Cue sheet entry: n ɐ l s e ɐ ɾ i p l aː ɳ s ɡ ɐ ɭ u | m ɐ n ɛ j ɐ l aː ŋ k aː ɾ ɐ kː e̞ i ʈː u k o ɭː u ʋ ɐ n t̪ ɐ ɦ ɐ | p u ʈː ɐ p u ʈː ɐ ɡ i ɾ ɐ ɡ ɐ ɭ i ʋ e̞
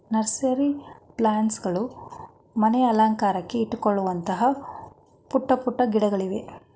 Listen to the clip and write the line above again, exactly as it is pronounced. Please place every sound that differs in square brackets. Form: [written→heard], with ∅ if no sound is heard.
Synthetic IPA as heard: n ɐ [l→ɾ] s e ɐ ɾ i p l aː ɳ s ɡ ɐ ɭ u | m ɐ n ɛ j ɐ l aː ŋ k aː ɾ ɐ kː e̞ i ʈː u k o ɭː u ʋ ɐ n t̪ ɐ ɦ ɐ | p u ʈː ɐ p u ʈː ɐ ɡ i [ɾ→ɽ] ɐ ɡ ɐ ɭ i ʋ e̞